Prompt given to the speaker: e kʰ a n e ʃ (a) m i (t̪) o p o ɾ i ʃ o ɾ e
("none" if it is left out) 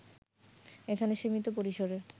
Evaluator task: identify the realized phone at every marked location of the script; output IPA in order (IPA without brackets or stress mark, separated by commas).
i, t̪